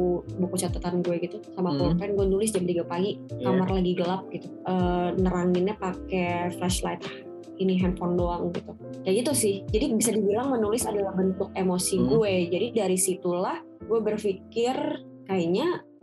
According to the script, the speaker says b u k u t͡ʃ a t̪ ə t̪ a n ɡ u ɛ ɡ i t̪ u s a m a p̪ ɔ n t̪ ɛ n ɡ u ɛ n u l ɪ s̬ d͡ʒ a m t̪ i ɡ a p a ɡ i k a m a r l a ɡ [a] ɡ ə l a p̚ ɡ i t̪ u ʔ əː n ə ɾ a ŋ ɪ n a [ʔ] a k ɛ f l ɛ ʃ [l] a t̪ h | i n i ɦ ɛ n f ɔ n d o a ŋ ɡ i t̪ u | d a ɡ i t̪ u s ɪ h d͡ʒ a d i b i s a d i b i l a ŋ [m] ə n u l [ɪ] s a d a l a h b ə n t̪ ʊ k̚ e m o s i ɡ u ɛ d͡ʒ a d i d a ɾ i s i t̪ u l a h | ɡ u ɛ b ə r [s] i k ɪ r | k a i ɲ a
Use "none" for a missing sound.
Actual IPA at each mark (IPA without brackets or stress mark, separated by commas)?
i, p, l, m, ɪ, f